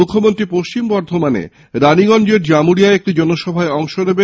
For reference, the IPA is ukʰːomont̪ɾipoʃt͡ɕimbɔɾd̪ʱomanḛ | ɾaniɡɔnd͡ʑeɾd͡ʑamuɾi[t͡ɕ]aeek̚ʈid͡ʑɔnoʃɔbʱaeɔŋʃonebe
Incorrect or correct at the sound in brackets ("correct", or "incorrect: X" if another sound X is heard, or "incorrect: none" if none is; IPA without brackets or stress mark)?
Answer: incorrect: none